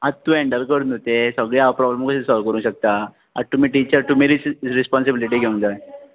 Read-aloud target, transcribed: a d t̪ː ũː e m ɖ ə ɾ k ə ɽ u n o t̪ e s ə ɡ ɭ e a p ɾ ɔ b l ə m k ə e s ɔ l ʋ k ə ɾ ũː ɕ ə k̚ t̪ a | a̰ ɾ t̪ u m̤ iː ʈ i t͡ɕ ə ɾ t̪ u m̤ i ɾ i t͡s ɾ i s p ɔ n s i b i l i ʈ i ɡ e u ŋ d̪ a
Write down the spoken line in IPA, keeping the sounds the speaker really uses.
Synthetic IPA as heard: a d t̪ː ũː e ɳ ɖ ə ɾ k ə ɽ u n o t̪ e s ə ɡ ɭ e a p ɾ ɔ b l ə m k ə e s ɔ l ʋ k ə ɾ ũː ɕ ə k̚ t̪ a | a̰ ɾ t̪ u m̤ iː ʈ i t͡ɕ ə ɾ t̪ u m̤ i ɾ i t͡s ɾ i s p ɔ n s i b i l i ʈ i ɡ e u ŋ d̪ a

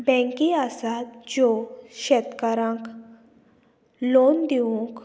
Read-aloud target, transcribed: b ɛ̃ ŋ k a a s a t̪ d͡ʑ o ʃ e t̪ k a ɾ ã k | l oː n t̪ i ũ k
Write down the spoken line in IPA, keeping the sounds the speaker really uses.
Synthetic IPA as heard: b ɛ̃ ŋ k i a s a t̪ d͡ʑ o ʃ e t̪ k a ɾ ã k | l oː n d̪ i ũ k

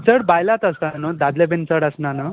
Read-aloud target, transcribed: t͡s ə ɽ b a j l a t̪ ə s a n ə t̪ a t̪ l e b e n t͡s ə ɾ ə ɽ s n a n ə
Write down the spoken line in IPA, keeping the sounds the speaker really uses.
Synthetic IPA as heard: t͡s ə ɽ b a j l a t̪ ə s a n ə d̪ a d̪ l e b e n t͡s ə ɽ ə s n a n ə

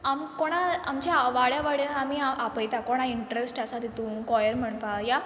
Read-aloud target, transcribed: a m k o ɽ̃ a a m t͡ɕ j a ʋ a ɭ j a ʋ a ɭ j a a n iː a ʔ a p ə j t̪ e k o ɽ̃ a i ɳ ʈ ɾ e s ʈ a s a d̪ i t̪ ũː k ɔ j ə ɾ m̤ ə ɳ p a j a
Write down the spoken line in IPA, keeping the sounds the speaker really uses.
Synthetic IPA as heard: a m k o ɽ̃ a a m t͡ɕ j a ʋ a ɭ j a ʋ a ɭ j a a m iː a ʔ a p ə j t̪ a k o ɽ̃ a i ɳ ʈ ɾ e s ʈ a s a d̪ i t̪ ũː k ɔ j ə ɾ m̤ ə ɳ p a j a

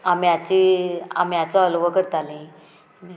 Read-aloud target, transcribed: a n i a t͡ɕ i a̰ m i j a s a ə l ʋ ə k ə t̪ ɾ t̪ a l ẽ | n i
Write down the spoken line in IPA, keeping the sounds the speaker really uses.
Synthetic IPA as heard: a m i a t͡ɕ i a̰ m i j a t͡s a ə l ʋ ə k ə ɾ t̪ a l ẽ | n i

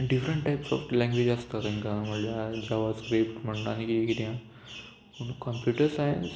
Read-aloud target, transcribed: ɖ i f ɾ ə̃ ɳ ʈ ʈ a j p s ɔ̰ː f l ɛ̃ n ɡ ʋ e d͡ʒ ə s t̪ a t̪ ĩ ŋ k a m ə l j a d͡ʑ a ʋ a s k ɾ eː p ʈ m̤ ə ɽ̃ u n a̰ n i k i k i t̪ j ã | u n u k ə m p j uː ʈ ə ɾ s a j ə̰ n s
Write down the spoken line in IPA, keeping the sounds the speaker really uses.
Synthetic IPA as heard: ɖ i f ɾ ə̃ ɳ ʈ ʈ a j p s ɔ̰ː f l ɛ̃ ŋ ɡ ʋ e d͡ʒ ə s t̪ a t̪ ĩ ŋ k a m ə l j a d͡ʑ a ʋ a s k ɾ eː p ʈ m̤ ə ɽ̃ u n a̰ n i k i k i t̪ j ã | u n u k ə m p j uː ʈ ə ɾ s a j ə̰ n s

